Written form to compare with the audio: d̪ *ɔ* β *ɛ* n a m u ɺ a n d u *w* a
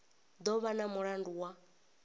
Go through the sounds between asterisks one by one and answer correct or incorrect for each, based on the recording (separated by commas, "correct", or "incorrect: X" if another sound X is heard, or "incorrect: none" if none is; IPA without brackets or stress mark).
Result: correct, incorrect: a, correct